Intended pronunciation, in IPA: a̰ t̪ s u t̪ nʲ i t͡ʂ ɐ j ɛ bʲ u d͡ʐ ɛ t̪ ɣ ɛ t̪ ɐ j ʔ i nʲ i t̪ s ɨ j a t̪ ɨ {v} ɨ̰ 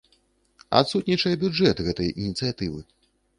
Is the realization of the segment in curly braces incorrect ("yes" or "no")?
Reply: no